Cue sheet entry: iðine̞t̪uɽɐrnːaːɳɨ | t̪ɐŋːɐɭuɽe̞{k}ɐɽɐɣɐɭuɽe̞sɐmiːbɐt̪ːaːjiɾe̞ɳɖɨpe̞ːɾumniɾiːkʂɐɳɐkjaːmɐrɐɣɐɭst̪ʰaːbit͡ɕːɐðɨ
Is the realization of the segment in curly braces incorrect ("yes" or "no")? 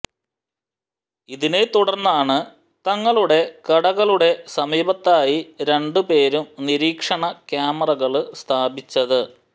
no